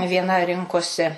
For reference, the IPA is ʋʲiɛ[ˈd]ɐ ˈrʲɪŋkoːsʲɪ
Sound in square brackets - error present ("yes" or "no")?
yes